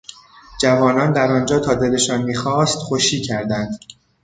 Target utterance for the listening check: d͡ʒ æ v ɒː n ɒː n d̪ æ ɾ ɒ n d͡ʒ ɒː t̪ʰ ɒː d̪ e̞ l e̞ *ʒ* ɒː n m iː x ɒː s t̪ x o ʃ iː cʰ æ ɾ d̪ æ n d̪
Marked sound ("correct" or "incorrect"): incorrect